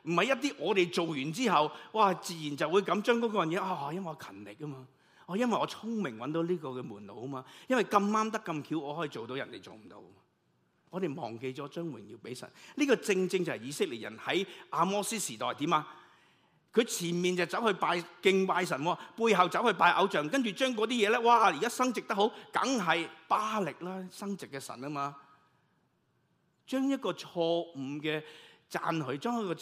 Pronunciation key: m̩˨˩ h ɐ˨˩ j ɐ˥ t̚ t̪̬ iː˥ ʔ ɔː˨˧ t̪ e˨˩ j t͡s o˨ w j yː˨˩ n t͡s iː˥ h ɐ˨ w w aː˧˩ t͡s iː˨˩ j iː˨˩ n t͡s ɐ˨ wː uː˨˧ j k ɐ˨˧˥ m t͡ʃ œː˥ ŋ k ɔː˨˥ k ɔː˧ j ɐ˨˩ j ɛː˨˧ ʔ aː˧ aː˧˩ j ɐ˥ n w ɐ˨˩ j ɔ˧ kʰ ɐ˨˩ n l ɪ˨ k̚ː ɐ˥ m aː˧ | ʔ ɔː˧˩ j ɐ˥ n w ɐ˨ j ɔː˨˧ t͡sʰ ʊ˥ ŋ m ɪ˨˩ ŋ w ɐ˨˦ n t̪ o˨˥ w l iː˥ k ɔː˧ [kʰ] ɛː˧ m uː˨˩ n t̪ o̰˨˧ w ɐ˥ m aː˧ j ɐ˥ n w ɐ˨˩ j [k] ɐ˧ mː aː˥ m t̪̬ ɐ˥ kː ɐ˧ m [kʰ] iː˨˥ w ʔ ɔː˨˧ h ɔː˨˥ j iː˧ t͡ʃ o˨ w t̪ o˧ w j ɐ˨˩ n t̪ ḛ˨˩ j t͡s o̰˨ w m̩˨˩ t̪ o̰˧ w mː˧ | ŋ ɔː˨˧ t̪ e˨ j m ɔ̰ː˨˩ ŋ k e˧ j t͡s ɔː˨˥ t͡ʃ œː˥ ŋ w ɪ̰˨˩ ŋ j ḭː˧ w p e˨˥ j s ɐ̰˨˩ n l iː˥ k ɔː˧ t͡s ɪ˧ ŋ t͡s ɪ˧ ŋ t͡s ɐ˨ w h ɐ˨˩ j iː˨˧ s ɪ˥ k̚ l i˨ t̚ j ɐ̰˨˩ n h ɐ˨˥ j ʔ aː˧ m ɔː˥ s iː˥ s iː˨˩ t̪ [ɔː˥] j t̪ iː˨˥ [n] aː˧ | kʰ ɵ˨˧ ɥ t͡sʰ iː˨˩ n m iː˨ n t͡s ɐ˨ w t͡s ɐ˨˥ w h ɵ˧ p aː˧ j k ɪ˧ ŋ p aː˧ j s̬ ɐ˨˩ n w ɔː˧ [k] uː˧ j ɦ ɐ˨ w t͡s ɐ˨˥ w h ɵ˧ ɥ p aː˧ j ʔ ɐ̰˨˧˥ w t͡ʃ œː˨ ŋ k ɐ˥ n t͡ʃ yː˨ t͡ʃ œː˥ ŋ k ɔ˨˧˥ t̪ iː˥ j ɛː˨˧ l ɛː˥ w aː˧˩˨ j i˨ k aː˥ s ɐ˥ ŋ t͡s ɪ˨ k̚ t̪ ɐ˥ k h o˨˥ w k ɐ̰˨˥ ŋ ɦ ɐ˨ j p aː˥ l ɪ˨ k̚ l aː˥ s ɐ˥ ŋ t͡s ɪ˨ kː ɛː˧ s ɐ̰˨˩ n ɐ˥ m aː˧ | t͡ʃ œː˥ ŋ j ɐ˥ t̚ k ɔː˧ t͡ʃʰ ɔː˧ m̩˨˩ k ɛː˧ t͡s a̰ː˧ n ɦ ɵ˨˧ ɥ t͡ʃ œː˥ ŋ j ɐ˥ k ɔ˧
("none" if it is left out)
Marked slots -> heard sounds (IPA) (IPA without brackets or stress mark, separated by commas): k, k, kʰ, ɔː˨, m, p